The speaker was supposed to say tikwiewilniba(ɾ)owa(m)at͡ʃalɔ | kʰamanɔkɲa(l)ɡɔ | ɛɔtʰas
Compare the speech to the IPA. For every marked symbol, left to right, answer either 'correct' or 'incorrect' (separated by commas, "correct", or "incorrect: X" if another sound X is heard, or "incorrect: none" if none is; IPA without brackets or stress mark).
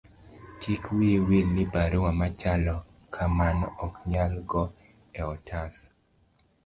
correct, correct, correct